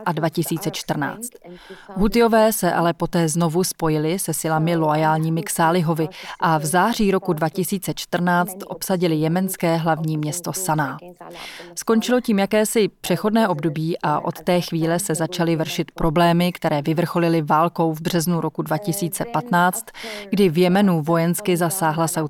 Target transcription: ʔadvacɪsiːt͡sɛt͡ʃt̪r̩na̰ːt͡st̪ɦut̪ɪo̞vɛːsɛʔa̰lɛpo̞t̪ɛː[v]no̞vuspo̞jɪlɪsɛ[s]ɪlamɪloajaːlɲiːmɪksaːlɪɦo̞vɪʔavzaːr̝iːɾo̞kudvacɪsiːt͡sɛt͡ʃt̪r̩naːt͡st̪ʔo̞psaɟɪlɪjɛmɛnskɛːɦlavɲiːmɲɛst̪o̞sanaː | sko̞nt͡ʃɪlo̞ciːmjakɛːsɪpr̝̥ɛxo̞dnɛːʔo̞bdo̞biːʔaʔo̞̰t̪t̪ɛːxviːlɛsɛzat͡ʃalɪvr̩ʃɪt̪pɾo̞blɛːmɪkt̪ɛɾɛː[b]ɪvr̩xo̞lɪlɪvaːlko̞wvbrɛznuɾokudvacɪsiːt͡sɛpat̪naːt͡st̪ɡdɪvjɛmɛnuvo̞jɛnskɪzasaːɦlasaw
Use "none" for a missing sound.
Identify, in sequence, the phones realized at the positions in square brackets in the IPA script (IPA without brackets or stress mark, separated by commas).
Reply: z, s, v